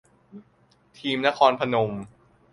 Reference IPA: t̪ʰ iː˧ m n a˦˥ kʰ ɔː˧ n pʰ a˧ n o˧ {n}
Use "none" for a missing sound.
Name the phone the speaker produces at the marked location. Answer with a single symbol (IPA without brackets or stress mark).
m